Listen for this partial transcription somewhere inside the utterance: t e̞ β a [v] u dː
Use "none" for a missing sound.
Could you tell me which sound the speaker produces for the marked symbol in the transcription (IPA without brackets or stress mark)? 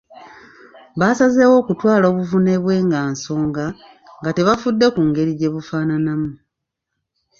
f